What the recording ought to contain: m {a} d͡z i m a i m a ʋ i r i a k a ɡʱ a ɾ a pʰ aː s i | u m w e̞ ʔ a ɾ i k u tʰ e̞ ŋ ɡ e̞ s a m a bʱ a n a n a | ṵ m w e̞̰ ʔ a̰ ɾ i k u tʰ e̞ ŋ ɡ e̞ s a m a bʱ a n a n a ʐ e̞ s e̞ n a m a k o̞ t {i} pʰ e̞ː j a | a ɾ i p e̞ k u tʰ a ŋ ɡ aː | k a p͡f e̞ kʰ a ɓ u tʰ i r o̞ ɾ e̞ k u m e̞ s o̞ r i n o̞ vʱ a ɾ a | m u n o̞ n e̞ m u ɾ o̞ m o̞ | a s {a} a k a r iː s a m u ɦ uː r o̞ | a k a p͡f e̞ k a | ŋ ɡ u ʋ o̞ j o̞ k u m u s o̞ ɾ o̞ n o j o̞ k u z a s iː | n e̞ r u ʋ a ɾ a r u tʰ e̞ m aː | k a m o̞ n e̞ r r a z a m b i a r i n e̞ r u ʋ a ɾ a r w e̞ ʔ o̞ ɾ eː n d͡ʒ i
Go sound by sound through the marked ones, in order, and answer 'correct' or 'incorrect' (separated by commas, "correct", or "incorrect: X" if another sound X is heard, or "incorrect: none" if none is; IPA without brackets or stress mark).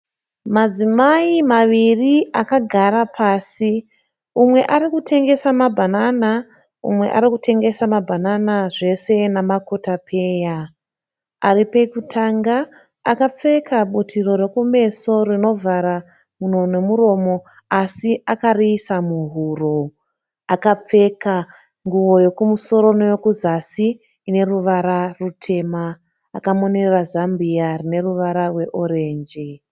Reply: correct, incorrect: a, incorrect: i